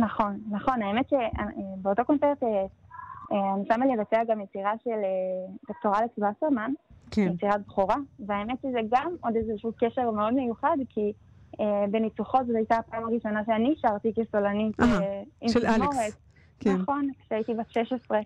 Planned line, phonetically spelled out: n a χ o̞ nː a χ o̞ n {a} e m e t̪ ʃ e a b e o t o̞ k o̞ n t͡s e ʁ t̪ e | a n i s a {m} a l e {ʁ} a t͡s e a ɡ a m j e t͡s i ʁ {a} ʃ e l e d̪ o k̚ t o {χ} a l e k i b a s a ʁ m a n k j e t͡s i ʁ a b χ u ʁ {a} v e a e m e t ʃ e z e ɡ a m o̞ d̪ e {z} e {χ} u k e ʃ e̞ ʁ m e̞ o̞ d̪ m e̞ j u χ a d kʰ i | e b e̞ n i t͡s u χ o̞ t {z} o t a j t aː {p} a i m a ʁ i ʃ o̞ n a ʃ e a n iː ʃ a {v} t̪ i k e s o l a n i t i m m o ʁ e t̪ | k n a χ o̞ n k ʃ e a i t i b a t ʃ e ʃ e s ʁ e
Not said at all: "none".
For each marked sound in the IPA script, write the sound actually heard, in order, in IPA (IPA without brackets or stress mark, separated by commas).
a, m, v, a, ʁ, a, z, ʃ, z, p, ʁ